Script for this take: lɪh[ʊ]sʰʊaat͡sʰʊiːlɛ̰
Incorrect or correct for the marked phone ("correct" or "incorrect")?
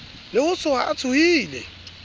correct